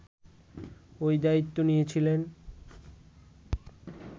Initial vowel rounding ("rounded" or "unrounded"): rounded